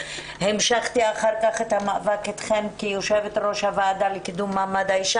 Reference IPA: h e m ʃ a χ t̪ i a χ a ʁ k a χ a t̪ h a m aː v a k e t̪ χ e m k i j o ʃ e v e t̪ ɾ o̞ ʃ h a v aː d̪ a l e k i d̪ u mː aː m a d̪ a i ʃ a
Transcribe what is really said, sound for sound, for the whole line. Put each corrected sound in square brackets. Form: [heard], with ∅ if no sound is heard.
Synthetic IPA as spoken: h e m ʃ a χ t̪ i a χ a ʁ k a χ [e] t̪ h a m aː v a k e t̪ χ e m k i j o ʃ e v e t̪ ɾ o̞ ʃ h a v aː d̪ a l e k i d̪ u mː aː m a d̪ a i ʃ a